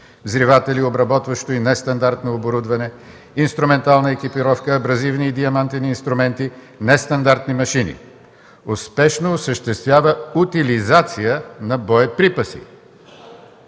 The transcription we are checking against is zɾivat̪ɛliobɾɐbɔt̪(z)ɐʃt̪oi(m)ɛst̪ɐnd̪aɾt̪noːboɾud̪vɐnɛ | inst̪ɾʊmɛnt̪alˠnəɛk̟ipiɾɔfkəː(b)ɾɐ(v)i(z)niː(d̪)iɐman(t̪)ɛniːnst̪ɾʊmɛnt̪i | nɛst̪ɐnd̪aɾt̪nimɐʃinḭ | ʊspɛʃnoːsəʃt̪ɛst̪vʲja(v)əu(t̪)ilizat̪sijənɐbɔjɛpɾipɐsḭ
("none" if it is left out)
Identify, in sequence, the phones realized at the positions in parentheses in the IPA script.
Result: v, n, b, z, v, d̪, t̪, v, t̪

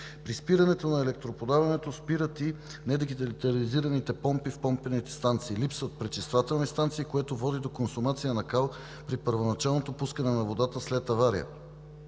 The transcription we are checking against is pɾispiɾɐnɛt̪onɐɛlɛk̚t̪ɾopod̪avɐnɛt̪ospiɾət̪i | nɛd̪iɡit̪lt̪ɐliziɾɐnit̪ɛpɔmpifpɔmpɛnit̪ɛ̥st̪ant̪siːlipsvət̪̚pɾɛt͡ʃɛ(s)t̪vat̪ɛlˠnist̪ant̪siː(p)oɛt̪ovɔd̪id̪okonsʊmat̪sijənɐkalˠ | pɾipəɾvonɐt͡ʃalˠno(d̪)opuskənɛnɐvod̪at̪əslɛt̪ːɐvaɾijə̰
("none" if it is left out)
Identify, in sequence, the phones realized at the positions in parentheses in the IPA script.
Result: s, k, t̪

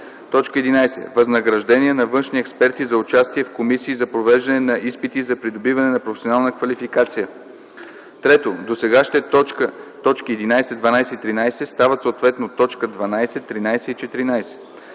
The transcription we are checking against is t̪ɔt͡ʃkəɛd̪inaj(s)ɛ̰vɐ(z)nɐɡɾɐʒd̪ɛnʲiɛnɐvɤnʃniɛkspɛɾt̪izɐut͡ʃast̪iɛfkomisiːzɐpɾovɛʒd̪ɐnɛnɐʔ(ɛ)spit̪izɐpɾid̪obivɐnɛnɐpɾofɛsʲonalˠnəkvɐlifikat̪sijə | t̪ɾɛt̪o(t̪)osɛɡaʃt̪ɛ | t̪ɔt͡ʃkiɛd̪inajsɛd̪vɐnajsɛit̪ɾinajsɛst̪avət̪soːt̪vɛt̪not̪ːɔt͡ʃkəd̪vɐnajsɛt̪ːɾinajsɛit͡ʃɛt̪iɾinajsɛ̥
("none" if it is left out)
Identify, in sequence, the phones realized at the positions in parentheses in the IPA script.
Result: s, z, i, d̪

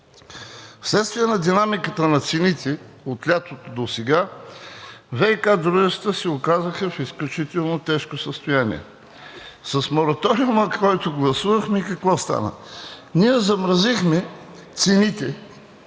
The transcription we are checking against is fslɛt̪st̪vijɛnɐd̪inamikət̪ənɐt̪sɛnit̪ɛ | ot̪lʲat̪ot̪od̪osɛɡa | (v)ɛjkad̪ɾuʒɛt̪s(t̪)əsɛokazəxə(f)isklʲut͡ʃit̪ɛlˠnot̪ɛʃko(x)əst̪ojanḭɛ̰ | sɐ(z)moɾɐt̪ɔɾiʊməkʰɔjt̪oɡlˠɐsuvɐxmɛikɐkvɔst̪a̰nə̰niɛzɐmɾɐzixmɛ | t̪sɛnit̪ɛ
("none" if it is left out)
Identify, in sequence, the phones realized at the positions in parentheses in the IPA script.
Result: v, t̪, f, s, s

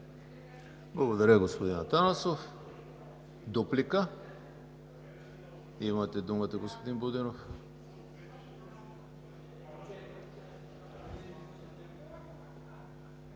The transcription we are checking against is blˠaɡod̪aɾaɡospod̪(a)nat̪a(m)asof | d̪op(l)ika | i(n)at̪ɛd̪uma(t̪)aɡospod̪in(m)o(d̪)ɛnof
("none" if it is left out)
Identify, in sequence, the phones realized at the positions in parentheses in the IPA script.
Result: i, n, l, m, t̪, b, d̪

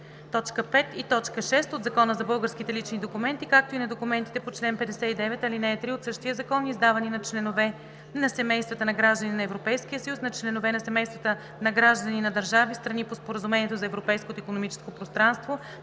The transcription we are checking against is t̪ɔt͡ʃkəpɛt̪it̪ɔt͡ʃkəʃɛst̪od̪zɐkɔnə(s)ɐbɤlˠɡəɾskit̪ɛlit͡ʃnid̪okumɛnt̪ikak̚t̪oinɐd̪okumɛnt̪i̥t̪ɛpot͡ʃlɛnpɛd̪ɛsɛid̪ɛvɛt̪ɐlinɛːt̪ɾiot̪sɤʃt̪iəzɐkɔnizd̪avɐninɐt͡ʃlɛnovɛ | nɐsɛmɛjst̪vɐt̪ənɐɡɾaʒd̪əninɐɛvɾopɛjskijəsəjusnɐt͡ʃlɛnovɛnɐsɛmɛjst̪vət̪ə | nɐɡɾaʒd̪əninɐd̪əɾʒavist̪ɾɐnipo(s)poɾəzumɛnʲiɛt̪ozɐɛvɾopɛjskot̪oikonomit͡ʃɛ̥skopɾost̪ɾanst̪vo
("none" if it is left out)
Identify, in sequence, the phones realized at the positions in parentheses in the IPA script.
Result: z, s

